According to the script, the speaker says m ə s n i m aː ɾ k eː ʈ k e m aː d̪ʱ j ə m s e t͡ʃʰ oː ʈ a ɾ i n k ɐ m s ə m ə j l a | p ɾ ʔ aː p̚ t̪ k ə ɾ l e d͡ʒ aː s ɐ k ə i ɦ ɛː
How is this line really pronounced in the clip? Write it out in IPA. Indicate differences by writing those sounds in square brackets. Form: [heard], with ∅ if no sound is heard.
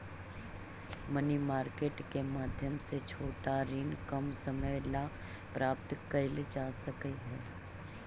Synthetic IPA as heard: m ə [∅] n i m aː ɾ k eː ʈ k e m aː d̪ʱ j ə m s e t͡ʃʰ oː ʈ a ɾ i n k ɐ m s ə m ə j l a | p ɾ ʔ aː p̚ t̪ k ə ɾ l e d͡ʒ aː s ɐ k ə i ɦ ɛː